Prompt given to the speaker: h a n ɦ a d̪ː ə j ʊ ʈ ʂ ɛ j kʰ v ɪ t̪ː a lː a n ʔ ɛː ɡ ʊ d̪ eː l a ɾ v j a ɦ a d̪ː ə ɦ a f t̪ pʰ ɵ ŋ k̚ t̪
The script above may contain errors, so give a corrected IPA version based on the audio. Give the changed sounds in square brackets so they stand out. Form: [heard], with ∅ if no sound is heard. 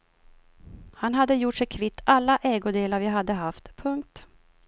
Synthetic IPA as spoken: h a n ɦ a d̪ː ə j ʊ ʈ ʂ ɛ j kʰ v ɪ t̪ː a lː a [∅] ʔ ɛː ɡ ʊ d̪ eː l a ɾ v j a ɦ a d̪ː ə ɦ a f t̪ pʰ ɵ ŋ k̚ t̪